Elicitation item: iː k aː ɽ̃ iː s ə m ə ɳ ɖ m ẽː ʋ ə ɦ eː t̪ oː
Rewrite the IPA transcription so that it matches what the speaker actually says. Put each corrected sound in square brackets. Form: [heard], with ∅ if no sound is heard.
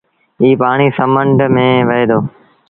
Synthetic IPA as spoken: iː [p] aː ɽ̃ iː s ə m ə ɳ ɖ m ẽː ʋ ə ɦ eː [d̪] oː